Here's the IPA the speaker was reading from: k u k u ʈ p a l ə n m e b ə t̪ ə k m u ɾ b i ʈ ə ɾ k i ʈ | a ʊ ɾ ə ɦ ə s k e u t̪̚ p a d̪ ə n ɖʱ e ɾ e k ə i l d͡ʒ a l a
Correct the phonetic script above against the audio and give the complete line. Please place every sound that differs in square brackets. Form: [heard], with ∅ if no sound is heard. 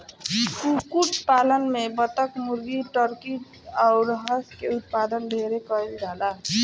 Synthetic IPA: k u k u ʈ p a l ə n m e b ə t̪ ə k m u ɾ [ɡ] i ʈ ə ɾ k i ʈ | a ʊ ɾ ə ɦ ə s k e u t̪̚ p a d̪ ə n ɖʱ e ɾ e k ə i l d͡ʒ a l a

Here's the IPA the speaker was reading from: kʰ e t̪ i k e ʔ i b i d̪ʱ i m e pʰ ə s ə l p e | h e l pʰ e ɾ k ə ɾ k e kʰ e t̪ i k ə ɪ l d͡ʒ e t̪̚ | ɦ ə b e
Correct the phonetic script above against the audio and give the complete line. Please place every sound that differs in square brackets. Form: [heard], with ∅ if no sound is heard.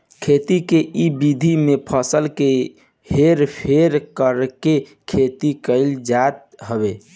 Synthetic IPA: kʰ e t̪ i k e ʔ i b i d̪ʱ i m e pʰ ə s ə l [k] e | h e [ɾ] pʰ e ɾ k ə ɾ k e kʰ e t̪ i k ə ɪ l d͡ʒ [a] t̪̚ | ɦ ə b e

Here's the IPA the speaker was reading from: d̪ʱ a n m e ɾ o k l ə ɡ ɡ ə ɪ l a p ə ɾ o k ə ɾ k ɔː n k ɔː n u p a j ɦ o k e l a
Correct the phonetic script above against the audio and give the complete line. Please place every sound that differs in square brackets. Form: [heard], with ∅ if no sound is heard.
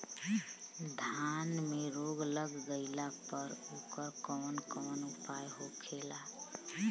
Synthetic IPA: d̪ʱ a n m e ɾ o [ɡ] l ə ɡ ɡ ə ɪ l a p ə ɾ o k ə ɾ k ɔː n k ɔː n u p a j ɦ o [kʰ] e l a

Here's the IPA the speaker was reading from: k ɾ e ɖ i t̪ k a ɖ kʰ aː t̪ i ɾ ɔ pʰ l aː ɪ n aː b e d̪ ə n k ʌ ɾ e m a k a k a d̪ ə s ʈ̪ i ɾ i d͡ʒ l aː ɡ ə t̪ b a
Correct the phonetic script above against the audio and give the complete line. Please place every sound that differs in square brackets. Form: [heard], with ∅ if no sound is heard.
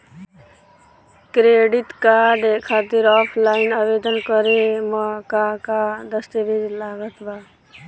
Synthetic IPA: k ɾ e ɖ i t̪ k a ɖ kʰ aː t̪ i ɾ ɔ pʰ l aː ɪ n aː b e d̪ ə n k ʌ ɾ e m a k a k a d̪ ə s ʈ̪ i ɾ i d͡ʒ l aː ɡ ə t̪ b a

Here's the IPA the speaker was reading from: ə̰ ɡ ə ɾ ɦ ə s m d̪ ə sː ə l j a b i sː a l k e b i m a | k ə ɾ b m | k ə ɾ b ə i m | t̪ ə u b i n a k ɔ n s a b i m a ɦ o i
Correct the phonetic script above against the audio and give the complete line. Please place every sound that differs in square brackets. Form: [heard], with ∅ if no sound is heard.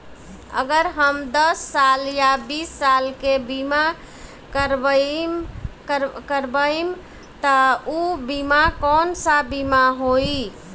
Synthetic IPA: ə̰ ɡ ə ɾ ɦ ə [∅] m d̪ ə sː [a] l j a b i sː a l k e b i m a | k ə ɾ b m | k ə ɾ b ə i m | t̪ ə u b i [m] a k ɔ n s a b i m a ɦ o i

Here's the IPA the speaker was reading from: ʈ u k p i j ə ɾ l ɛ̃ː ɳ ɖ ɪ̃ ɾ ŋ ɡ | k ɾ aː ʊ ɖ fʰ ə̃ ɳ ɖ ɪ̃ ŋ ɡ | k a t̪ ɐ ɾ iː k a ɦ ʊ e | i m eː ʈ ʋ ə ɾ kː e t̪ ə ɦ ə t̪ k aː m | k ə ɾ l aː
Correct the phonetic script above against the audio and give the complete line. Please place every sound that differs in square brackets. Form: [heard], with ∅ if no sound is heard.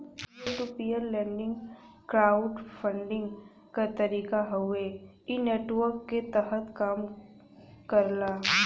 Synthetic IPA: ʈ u [∅] p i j ə ɾ l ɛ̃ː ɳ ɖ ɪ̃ [∅] ŋ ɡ | k ɾ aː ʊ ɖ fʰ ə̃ ɳ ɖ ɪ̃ ŋ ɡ | k a t̪ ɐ ɾ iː k a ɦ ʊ e | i [n] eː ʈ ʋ ə ɾ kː e t̪ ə ɦ ə t̪ k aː m | k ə ɾ l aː

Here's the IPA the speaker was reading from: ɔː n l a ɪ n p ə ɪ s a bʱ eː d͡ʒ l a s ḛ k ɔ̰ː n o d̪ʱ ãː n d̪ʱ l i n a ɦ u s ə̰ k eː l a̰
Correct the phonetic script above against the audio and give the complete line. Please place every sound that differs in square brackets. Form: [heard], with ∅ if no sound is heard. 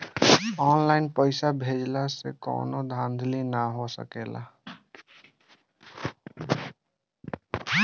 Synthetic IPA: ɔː n l a ɪ n p ə ɪ s a bʱ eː d͡ʒ l a s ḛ k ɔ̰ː n o d̪ʱ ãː n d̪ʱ l i n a ɦ [o] s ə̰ k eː l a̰

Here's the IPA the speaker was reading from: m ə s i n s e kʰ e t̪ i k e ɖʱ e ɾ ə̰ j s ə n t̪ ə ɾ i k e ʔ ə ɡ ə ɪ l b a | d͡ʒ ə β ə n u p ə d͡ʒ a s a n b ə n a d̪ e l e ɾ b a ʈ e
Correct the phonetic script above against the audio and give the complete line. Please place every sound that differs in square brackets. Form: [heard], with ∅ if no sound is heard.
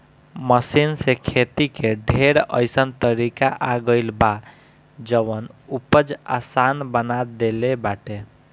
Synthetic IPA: m ə s i n s e kʰ e t̪ i k e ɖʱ e ɾ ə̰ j s ə n t̪ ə ɾ i k [a] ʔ [a] ɡ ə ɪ l b a | d͡ʒ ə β ə n u p ə d͡ʒ a s a n b ə n a d̪ e l e [∅] b a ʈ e

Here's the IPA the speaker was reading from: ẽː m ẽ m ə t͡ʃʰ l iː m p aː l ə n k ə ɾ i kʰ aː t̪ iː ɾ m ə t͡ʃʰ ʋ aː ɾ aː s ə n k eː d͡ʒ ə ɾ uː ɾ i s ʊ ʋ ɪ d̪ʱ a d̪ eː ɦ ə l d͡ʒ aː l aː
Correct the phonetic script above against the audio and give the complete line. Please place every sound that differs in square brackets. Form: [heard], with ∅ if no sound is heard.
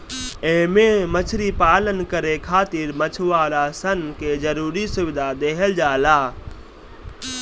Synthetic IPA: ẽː m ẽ m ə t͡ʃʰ [ɾ] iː [∅] p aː l ə n k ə ɾ [e] kʰ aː t̪ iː ɾ m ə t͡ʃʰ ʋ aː ɾ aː s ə n k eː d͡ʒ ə ɾ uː ɾ i s ʊ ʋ ɪ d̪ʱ a d̪ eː ɦ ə l d͡ʒ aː l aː

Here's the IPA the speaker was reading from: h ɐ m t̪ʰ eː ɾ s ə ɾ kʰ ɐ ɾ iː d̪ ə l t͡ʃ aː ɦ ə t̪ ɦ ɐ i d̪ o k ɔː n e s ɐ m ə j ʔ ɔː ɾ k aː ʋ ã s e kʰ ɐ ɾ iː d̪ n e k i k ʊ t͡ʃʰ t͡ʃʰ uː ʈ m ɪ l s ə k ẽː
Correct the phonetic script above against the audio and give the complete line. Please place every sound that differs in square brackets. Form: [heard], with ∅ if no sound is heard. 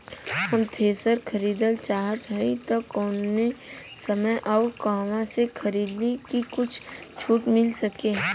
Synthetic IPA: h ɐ m t̪ʰ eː [∅] s ə ɾ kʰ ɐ ɾ iː d̪ ə l t͡ʃ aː ɦ ə t̪ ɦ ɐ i [t̪] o k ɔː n e s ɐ m ə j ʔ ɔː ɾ k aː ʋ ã s e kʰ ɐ ɾ iː d̪ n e k i k ʊ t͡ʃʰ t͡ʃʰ uː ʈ m ɪ l s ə k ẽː

